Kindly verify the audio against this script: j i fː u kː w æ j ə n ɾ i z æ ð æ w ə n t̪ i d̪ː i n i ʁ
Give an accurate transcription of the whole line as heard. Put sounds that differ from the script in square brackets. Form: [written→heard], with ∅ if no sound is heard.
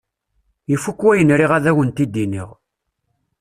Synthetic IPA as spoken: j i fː u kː w æ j ə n ɾ i [z→ʁ] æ ð æ w ə n t̪ i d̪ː i n i ʁ

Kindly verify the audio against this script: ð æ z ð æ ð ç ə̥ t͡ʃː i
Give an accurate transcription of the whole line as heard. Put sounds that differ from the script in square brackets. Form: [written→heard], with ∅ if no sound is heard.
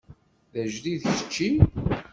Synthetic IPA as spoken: ð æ [z→ʒ] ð [æ→i] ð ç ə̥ t͡ʃː i

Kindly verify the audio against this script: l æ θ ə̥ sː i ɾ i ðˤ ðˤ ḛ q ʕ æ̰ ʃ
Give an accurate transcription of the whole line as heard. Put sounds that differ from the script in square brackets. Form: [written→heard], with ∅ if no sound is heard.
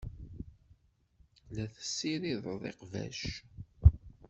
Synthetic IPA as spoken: l æ θ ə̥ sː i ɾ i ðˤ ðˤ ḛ q [ʕ→v] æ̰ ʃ

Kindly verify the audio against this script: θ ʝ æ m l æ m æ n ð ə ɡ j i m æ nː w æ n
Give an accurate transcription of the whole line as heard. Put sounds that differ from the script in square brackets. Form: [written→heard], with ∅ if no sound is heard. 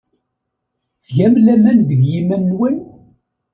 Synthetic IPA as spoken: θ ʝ æ m l æ m æ n ð ə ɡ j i m æ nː w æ n

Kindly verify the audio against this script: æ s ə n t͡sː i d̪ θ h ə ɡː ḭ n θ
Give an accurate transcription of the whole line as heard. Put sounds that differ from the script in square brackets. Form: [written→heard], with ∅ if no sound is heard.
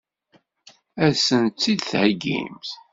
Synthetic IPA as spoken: æ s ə n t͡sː i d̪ θ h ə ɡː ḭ [n→m] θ

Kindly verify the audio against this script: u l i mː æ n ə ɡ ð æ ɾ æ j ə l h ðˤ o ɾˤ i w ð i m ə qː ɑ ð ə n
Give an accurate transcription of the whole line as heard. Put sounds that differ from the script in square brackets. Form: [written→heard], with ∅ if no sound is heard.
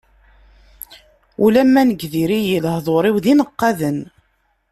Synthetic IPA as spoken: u l [i→æ] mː æ n ə ɡ ð [æ→i] ɾ [æ→i] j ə l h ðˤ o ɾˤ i w ð i [m→n] ə qː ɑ ð ə n

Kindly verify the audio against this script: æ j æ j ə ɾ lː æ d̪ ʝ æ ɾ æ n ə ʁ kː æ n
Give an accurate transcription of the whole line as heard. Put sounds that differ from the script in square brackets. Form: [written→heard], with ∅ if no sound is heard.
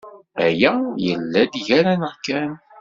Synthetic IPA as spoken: æ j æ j ə [ɾ→∅] lː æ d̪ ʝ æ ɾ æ n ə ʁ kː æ n

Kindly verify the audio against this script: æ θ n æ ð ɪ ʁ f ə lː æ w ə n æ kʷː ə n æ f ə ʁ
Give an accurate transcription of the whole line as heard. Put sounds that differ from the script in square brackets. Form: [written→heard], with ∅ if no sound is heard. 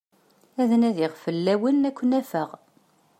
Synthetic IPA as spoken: æ [θ→ð] n æ ð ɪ ʁ f ə lː æ w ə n æ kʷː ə n æ f ə ʁ

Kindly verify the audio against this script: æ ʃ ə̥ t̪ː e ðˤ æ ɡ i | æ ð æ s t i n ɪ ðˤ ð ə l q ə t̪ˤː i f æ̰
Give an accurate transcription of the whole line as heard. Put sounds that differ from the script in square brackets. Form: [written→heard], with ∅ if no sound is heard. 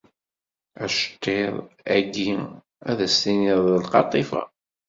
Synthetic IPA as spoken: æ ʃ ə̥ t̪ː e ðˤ æ ɡ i | æ ð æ s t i n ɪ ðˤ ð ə l q [ə→ɑ] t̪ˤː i f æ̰

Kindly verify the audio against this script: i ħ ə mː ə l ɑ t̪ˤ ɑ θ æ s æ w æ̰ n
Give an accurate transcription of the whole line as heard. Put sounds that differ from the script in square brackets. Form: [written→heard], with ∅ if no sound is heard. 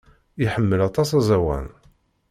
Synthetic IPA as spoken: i ħ ə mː ə l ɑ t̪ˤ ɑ [θ→s] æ [s→z] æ w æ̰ n

